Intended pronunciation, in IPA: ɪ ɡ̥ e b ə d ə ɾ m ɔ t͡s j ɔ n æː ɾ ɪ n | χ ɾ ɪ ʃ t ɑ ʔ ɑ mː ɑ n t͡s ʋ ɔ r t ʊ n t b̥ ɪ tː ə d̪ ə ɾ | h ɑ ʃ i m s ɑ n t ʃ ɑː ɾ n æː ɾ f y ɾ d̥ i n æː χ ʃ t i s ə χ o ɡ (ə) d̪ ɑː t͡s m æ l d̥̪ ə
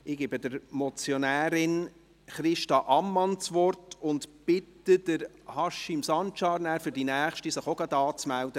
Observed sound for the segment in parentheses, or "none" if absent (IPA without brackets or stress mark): ɑ